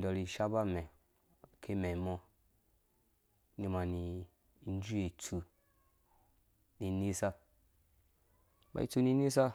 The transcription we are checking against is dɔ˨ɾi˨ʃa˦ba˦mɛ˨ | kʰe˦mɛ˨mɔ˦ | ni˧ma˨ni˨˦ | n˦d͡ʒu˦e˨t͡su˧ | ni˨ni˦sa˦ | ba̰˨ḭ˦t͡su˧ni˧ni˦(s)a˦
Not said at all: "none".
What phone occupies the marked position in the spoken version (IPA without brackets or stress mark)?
s